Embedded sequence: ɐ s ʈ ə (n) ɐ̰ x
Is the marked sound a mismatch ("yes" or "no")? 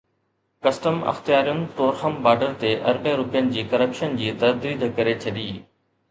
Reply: yes